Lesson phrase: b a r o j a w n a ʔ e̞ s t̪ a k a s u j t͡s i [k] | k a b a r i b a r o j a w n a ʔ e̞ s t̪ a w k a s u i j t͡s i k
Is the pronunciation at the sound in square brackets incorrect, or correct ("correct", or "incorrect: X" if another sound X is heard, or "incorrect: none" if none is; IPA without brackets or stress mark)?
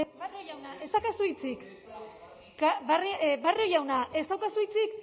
correct